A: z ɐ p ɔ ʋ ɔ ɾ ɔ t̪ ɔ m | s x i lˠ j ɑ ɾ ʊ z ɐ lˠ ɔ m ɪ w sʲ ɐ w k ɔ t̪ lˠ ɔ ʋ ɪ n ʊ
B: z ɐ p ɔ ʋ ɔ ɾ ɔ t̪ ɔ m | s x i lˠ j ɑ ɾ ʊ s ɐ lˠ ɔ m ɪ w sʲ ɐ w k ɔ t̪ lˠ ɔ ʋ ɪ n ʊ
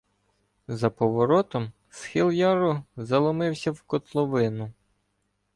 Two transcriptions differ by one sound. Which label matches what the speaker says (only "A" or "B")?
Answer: A